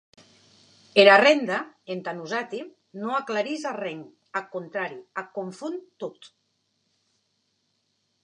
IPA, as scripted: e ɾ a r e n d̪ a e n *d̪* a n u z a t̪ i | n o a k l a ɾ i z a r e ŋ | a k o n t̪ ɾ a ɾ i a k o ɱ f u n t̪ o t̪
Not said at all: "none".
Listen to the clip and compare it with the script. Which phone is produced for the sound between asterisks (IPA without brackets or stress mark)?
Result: t̪